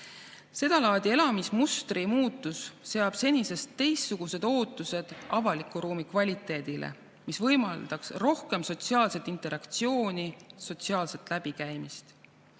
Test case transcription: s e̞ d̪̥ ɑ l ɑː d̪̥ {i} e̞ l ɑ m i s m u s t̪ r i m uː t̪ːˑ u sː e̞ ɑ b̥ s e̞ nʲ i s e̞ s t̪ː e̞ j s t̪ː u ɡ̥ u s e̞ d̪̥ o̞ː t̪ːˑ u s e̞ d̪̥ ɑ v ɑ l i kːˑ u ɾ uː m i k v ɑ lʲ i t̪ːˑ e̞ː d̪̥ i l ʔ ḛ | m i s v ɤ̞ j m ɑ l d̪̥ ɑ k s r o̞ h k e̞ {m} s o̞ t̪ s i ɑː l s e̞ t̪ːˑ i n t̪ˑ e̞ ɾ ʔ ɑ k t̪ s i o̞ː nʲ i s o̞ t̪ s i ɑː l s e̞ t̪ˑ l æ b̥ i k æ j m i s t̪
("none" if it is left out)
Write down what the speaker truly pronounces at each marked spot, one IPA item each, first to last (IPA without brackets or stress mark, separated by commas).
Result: i, m